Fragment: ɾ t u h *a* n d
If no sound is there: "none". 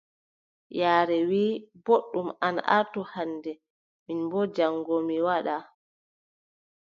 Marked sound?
a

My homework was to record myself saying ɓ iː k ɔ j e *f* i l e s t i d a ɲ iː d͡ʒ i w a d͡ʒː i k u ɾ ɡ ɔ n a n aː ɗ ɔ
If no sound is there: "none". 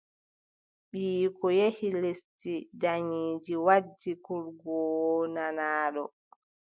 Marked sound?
h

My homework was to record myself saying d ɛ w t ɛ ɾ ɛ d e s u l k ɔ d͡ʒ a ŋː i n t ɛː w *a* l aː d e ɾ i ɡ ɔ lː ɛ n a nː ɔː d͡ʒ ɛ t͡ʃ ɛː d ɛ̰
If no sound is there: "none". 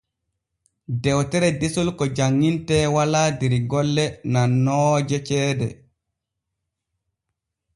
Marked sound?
a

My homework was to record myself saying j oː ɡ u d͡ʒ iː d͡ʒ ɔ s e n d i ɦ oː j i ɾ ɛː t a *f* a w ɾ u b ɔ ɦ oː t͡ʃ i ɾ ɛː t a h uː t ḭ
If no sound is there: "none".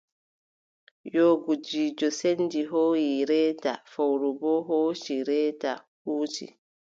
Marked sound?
f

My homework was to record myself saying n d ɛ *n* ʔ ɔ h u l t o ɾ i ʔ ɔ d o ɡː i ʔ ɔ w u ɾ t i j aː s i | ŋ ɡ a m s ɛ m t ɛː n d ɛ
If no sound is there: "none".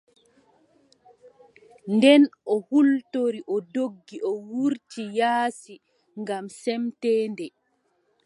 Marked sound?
n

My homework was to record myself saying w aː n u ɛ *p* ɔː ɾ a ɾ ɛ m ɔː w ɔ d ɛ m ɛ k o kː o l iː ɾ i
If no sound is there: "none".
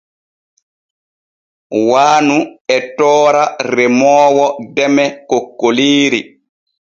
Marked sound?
t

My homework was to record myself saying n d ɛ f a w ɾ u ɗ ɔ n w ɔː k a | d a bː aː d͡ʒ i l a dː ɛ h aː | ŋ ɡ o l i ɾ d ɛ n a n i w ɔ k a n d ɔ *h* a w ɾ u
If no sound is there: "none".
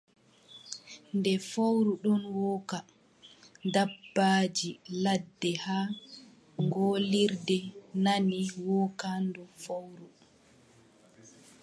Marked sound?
f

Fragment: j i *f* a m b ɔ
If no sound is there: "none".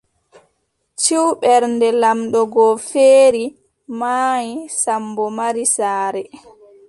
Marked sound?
s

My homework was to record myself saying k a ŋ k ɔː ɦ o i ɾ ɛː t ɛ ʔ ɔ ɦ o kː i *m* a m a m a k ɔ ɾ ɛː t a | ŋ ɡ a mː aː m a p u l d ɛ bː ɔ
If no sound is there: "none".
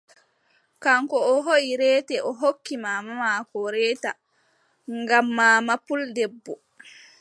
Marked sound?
m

